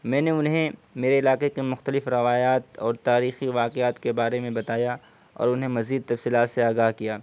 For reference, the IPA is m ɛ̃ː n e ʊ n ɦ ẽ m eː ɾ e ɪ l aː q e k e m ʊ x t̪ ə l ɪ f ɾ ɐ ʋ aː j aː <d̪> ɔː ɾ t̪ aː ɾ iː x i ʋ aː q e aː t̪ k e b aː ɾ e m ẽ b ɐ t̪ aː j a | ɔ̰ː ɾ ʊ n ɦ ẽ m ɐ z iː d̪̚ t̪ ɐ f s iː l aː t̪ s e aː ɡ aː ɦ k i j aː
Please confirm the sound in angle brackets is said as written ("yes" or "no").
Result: no